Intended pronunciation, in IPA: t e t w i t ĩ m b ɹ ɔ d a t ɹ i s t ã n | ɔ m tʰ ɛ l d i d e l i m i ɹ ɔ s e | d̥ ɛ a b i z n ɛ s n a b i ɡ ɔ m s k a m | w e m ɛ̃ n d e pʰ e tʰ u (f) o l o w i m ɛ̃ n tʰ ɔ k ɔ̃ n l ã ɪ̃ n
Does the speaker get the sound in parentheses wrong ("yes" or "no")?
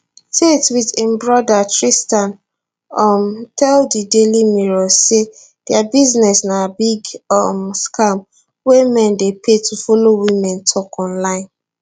no